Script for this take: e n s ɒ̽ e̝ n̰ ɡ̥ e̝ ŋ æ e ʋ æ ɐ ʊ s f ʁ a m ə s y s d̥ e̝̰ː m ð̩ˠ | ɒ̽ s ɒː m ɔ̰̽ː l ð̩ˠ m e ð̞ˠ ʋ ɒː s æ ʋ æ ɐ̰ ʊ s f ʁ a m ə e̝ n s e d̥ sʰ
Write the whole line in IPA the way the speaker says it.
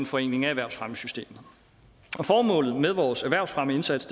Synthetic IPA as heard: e n f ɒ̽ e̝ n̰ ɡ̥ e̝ ŋ æ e ʋ æ ɐ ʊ s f ʁ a m ə s y s d̥ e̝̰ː m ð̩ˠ | ɒ̽ f ɒː m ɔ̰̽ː l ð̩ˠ m e ð̞ˠ ʋ ɒː s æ ʋ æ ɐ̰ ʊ s f ʁ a m ə e̝ n s æ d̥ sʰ

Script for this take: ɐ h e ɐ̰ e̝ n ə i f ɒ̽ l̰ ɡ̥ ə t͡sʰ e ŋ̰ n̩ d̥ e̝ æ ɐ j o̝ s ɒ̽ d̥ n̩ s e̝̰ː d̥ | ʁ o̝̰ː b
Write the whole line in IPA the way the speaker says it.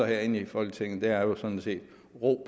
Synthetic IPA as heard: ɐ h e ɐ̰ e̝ n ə i f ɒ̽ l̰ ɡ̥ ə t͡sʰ e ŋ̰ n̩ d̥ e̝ æ ɐ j o̝ s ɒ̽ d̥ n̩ s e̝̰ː d̥ | ʁ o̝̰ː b

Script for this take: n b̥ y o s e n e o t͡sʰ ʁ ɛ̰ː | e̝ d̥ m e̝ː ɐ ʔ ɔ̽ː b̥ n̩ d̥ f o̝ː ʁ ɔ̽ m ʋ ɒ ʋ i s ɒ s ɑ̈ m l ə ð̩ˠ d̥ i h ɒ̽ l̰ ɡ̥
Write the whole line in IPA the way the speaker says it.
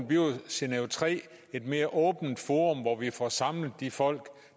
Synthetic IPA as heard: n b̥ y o s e n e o t͡sʰ ʁ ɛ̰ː | e̝ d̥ m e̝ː ɐ ʔ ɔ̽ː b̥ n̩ d̥ f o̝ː ʁ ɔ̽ m ʋ ɒ ʋ i f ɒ s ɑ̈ m l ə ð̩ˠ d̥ i f ɒ̽ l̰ ɡ̥

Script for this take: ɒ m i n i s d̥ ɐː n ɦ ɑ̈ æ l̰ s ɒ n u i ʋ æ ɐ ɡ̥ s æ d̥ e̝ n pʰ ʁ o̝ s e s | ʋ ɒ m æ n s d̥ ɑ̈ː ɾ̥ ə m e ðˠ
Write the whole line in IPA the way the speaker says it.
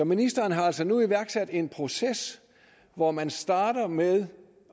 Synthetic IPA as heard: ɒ m i n i s d̥ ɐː n ɦ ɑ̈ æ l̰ s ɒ n u i ʋ æ ɐ ɡ̥ s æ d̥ e̝ n pʰ ʁ o̝ s e s | ʋ ɒ m æ n s d̥ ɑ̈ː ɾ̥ ɐ m e ðˠ

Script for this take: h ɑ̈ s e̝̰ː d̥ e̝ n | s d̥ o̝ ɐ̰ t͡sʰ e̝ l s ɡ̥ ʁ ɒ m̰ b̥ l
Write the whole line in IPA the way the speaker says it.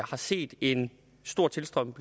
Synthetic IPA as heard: h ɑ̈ s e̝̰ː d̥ e̝ n | s d̥ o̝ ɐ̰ t͡sʰ e̝ l s d̥ ʁ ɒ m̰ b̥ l

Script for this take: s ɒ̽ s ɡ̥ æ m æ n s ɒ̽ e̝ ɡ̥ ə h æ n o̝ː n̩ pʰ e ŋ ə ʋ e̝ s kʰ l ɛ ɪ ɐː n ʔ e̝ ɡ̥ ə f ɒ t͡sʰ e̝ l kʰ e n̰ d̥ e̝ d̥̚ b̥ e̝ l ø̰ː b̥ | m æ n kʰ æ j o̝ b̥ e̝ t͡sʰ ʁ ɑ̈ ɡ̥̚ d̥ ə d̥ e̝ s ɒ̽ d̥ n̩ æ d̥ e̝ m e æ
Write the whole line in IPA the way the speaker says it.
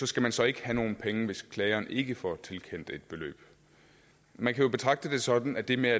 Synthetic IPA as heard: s ɒ̽ s ɡ̥ æ m æ n s ɒ̽ e̝ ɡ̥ ə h æ n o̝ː n̩ pʰ e ŋ ə ʋ e̝ s kʰ l ɛ ɪ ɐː n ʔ e̝ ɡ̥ ə f ɒ t͡sʰ e̝ l kʰ e n̰ d̥ e̝ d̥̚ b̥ e̝ l ø̰ː b̥ | m æ n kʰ æ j o̝ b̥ e̝ t͡sʰ ʁ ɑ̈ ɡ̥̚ d̥ ə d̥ e̝ s ɒ̽ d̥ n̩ æ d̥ e̝ m e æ

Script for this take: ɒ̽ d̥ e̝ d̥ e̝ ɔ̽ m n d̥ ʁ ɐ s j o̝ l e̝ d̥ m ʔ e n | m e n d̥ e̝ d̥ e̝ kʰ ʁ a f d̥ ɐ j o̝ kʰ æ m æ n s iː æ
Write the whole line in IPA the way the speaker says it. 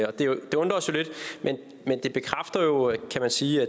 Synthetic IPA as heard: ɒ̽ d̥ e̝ d̥ e̝ ɔ̽ n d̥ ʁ ɐ s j o̝ l e̝ d̥ m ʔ e n | m e n d̥ e̝ b̥ e̝ kʰ ʁ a f d̥ ɐ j o̝ kʰ æ m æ n s iː æ

